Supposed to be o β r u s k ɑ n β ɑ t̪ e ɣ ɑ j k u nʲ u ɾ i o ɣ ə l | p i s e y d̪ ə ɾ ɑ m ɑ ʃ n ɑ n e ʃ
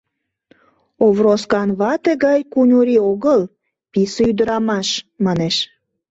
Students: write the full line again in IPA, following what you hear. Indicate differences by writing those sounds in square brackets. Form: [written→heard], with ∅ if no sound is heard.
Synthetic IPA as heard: o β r [u→o] s k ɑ n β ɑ t̪ e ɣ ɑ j k u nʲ u ɾ i o ɣ ə l | p i s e y d̪ ə ɾ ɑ m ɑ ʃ [n→m] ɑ n e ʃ